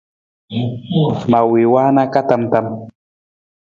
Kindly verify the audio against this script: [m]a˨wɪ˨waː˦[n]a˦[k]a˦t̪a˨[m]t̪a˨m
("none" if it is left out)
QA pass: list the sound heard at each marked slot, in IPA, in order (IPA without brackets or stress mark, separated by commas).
m, n, k, m